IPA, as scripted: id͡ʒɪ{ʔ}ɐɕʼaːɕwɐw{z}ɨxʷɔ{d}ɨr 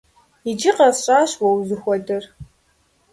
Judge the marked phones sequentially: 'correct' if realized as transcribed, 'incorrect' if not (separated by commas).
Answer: incorrect, correct, correct